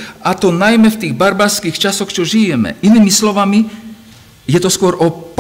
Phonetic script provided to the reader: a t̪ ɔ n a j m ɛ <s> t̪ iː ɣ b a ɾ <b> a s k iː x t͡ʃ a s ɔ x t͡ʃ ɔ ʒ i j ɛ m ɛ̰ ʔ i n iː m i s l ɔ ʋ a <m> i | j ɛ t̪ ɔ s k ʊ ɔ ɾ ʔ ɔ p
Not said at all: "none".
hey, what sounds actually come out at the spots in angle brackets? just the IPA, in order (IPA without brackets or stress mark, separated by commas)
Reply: f, b, m